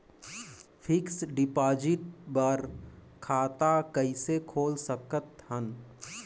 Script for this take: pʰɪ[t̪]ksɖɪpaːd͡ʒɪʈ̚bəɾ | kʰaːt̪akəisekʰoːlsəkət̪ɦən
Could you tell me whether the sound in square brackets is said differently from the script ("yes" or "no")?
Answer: yes